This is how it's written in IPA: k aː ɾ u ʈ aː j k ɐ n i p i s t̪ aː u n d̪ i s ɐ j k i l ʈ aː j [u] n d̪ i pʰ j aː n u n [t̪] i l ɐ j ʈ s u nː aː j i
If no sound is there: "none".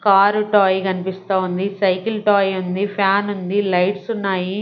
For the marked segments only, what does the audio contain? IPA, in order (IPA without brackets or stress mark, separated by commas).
u, d̪